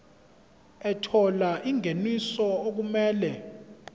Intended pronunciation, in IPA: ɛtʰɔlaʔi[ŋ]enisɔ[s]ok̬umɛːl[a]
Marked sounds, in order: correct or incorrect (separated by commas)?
correct, incorrect, incorrect